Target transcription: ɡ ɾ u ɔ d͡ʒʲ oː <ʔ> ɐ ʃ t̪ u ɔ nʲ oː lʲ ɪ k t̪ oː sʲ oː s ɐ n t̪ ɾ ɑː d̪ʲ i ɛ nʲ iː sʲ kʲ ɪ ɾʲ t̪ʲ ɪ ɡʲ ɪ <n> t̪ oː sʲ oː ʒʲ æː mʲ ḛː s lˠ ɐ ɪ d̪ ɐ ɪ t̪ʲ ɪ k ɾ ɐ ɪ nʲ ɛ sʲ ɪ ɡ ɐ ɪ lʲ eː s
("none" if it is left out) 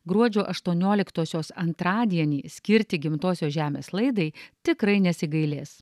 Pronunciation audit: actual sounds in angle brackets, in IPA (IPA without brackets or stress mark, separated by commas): ʔ, m